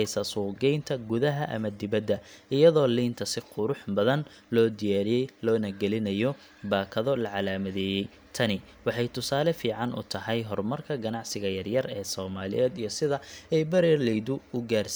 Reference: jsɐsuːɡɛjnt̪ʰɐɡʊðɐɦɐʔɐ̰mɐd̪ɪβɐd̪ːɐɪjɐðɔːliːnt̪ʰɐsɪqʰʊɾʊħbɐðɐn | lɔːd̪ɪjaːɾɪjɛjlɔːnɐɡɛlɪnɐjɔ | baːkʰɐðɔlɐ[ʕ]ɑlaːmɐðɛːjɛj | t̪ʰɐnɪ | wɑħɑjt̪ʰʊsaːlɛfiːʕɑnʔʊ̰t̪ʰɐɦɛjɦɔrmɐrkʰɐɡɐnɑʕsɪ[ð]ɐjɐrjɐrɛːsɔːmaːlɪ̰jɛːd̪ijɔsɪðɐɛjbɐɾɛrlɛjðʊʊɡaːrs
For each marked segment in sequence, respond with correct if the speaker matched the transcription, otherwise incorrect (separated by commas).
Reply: correct, incorrect